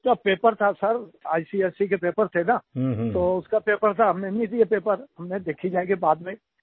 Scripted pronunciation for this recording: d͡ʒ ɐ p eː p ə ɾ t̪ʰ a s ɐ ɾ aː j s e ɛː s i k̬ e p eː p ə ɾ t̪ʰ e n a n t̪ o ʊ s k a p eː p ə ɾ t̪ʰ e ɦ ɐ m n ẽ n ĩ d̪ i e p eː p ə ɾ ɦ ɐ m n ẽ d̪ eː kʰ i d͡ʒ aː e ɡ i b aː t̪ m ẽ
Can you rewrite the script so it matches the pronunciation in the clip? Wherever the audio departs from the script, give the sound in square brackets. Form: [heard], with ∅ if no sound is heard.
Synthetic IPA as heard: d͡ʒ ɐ p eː p ə ɾ t̪ʰ a s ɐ ɾ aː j s [i] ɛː s i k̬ e p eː p ə ɾ t̪ʰ e n a [∅] t̪ o ʊ s k a p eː p ə ɾ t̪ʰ [a] ɦ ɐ m n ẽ n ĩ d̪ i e p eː p ə ɾ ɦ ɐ m n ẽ d̪ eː kʰ i d͡ʒ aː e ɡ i b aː [d̪] m ẽ

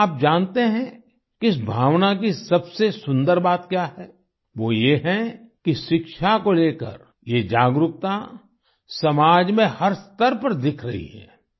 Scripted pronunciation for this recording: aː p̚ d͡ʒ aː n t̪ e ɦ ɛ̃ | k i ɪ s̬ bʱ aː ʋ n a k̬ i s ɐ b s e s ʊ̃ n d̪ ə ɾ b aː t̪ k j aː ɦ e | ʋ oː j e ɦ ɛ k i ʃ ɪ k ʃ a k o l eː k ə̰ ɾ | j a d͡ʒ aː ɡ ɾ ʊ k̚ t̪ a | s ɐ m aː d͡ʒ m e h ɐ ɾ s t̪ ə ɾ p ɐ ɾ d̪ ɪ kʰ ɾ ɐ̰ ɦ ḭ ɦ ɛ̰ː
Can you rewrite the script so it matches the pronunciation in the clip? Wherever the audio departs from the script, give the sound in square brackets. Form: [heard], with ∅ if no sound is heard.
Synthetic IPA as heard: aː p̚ d͡ʒ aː n t̪ e ɦ ɛ̃ | k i ɪ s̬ bʱ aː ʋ n a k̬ i s ɐ b s e s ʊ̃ n d̪ ə ɾ b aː t̪ k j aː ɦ [ɛ] | ʋ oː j e ɦ ɛ k i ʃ ɪ k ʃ a k o l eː k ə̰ ɾ | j [e] d͡ʒ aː ɡ ɾ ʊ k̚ t̪ a | s ɐ m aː d͡ʒ m [ẽ] h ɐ ɾ s t̪ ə ɾ p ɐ ɾ d̪ ɪ kʰ ɾ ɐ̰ ɦ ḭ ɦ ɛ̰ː

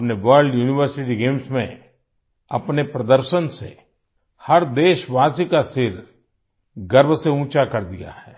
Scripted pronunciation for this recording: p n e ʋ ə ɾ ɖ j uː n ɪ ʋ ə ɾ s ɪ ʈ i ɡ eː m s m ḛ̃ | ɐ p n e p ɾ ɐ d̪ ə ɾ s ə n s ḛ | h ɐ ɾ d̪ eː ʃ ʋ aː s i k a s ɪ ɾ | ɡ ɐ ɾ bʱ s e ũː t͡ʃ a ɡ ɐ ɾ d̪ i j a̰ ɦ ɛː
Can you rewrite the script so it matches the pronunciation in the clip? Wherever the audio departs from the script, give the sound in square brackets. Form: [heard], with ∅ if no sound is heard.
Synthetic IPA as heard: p n e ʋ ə ɾ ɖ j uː n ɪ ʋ ə ɾ s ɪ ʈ i ɡ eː m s m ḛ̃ | ɐ p n e p ɾ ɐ d̪ ə ɾ [ʃ] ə n s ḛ | h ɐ ɾ d̪ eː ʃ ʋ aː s i k a s ɪ ɾ | ɡ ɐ ɾ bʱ s e ũː t͡ʃ a [k] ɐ ɾ d̪ i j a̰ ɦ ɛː

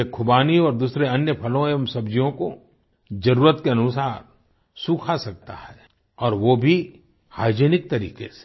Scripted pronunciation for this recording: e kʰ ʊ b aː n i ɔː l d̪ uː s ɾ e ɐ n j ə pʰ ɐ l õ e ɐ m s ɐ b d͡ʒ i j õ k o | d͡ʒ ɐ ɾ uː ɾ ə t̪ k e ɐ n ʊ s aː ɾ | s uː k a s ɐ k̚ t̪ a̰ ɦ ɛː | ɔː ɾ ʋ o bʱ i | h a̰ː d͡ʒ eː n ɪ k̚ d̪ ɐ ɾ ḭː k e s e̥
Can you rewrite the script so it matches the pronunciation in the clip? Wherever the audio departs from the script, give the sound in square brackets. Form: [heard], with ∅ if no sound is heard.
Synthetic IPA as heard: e kʰ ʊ b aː n i ɔː [ɾ] d̪ uː s ɾ e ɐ n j ə pʰ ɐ l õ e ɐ m s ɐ b d͡ʒ i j õ k o | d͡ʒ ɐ ɾ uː ɾ ə t̪ k e ɐ n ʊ s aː ɾ | s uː [kʰ] a s ɐ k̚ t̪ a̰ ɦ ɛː | ɔː ɾ ʋ o bʱ i | h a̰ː d͡ʒ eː n ɪ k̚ [t̪] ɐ ɾ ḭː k e s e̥

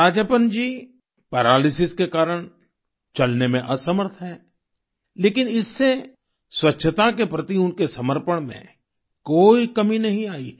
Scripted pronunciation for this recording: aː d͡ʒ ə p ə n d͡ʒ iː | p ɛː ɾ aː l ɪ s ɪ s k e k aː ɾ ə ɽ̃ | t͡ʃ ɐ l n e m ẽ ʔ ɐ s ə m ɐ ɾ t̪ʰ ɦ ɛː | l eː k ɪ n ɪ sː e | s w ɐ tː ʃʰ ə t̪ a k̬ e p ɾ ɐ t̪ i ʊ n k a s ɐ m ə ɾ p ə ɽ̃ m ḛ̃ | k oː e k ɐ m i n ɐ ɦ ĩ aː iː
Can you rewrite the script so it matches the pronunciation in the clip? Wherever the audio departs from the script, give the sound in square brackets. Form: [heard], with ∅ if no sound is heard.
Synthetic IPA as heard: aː d͡ʒ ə p ə n d͡ʒ iː | p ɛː ɾ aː l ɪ s ɪ s k e k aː ɾ ə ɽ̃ | t͡ʃ ɐ l n e m ẽ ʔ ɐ s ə m [ə] ɾ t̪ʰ ɦ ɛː | l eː k ɪ n ɪ sː e | s w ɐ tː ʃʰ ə t̪ a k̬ e p ɾ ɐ t̪ i ʊ n k [e] s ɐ m ə ɾ p ə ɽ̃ m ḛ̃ | k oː [i] k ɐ m i n ɐ ɦ ĩ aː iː

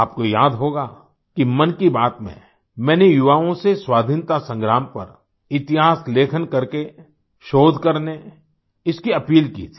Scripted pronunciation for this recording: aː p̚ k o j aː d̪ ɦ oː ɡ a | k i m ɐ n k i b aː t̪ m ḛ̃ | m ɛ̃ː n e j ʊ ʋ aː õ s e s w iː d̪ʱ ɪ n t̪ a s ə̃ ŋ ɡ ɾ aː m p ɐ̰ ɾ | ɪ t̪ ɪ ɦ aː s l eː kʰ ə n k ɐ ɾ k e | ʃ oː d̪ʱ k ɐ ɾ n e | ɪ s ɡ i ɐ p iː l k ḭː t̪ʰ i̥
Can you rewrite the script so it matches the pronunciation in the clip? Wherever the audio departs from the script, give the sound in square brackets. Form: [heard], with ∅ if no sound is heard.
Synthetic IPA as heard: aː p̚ k o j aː d̪ ɦ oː ɡ a | k i m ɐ n k i b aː t̪ m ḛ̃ | m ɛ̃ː n e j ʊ ʋ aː õ s e s w [aː] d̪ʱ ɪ n t̪ a s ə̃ ŋ ɡ ɾ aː m p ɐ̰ ɾ | ɪ t̪ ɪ ɦ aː s l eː kʰ ə n k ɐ ɾ k e | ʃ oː d̪ʱ k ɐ ɾ n e | ɪ s [k] i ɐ p iː l k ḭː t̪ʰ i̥

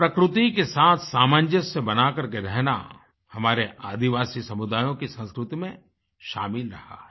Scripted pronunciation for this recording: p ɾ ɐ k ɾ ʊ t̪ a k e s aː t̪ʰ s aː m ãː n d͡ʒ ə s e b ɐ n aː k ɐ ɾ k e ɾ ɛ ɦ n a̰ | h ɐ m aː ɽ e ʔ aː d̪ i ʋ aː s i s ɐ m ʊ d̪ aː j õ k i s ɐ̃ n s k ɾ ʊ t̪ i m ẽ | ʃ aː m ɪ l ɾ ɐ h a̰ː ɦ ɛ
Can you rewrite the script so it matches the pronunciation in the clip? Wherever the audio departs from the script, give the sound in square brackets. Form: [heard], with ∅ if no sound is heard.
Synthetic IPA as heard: p ɾ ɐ k ɾ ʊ t̪ [i] k e s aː t̪ʰ s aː m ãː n d͡ʒ ə s e b ɐ n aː k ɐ ɾ k e ɾ ɛ ɦ n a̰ | h ɐ m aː [ɾ] e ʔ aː d̪ i ʋ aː s i s ɐ m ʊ d̪ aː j õ k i s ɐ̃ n s k ɾ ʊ t̪ i m ẽ | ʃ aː m ɪ l ɾ ɐ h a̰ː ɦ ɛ

